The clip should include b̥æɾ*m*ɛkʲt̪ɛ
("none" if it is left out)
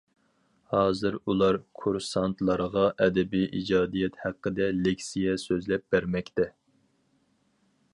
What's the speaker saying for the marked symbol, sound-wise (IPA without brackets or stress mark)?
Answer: m